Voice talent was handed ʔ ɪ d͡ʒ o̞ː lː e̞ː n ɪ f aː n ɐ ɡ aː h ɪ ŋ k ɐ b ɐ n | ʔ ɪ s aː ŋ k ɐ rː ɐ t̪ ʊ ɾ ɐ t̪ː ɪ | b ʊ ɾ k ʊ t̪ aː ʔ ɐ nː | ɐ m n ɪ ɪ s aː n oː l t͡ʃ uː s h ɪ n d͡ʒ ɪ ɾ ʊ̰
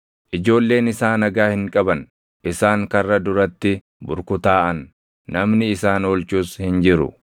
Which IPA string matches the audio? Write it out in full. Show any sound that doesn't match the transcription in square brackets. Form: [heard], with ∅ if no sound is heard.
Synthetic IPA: ʔ ɪ d͡ʒ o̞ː lː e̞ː n ɪ [s] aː n ɐ ɡ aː h ɪ ŋ [kʼ] ɐ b ɐ n | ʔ ɪ s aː ŋ k ɐ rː ɐ [d̪] ʊ ɾ ɐ t̪ː ɪ | b ʊ ɾ k ʊ t̪ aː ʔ ɐ nː | ɐ m n ɪ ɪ s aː n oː l t͡ʃ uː s h ɪ n d͡ʒ ɪ ɾ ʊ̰